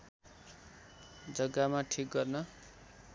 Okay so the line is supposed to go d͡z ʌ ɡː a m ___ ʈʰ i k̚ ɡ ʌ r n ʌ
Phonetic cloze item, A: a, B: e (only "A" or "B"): A